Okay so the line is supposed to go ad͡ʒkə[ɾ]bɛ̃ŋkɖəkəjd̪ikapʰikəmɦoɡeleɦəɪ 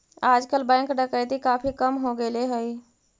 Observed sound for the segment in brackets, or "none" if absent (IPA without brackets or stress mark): l